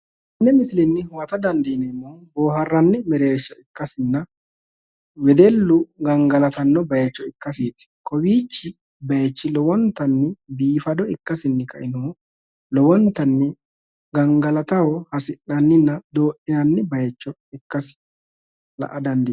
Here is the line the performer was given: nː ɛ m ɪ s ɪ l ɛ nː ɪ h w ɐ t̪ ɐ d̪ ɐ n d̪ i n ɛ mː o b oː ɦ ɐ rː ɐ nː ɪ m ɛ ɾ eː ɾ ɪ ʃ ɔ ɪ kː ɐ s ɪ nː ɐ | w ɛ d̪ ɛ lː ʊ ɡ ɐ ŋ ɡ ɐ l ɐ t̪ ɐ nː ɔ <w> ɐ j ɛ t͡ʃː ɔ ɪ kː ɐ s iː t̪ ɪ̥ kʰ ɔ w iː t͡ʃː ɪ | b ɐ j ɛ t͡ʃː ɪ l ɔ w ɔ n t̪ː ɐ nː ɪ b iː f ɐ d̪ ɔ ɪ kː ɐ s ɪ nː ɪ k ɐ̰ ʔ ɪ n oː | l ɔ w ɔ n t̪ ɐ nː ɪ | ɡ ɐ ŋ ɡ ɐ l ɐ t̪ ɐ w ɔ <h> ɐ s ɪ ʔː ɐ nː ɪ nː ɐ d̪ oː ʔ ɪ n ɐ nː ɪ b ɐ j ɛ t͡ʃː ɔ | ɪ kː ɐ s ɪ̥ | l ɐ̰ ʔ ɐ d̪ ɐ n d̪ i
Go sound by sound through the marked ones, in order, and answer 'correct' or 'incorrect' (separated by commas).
incorrect, correct